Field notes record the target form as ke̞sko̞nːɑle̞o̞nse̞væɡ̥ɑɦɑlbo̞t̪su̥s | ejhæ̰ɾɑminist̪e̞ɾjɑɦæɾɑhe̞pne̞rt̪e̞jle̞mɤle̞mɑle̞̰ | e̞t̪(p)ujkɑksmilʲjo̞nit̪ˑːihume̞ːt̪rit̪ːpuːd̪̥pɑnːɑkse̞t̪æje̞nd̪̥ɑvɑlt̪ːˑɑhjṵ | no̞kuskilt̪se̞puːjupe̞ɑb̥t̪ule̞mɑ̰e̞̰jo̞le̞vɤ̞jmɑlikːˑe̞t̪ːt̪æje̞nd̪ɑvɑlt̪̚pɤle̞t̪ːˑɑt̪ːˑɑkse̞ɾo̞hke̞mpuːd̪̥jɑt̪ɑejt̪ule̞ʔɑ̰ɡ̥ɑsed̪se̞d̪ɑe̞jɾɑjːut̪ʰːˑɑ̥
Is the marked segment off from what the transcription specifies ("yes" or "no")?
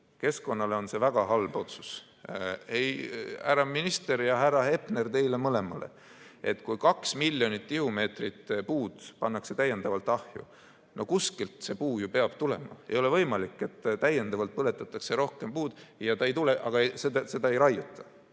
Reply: yes